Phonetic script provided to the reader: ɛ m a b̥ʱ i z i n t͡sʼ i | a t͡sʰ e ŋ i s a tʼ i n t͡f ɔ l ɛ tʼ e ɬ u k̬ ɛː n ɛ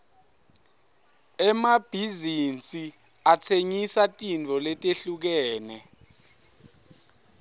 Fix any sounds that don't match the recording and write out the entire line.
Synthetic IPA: ɛ m a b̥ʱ i z i n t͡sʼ i | a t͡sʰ e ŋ i s a tʼ i n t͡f ɔ l ɛ tʼ e ɬ u k̬ ɛː n ɛ